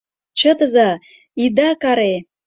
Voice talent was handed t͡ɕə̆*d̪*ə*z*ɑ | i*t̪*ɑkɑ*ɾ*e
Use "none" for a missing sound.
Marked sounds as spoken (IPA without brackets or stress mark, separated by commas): t̪, z, d̪, ɾ